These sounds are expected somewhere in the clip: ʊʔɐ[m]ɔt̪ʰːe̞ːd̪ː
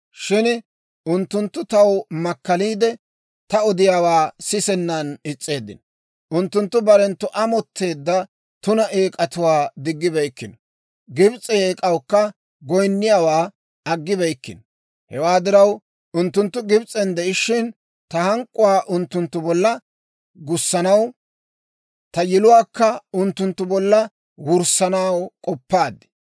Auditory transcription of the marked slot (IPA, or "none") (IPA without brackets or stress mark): m